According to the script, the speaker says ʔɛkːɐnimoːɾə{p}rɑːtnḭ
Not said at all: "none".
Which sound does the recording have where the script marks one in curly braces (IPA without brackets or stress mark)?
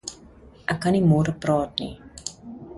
p